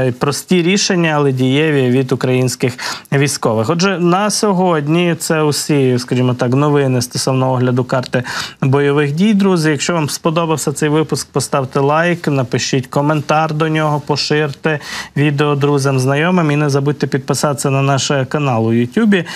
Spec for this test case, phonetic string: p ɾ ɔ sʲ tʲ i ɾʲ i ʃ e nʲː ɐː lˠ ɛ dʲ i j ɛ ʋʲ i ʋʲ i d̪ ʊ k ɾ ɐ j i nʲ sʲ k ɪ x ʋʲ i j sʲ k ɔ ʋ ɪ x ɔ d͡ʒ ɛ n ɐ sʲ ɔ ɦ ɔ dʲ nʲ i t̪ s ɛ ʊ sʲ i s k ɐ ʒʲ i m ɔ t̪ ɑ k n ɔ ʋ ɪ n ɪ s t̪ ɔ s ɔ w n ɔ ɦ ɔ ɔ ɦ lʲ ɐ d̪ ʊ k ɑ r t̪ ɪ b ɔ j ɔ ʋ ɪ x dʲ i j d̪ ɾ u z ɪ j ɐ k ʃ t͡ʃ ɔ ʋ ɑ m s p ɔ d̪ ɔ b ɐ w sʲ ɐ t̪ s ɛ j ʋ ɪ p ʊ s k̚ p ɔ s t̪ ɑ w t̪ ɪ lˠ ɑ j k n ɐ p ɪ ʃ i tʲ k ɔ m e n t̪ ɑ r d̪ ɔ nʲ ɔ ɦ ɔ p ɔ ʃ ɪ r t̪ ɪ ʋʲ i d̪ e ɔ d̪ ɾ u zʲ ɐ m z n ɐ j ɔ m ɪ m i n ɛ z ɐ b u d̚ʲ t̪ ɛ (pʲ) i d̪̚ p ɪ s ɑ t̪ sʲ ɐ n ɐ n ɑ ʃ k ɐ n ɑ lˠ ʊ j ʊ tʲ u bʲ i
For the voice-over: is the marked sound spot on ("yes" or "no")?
yes